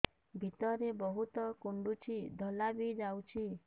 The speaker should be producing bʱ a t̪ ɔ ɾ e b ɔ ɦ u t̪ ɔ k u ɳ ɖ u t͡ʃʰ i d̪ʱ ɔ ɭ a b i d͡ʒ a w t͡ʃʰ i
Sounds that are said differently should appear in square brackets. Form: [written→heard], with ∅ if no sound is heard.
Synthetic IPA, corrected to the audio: bʱ [a→i] t̪ ɔ ɾ e b ɔ ɦ u t̪ ɔ k u ɳ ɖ u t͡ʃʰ i d̪ʱ ɔ [ɭ→l] a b i d͡ʒ a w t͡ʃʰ i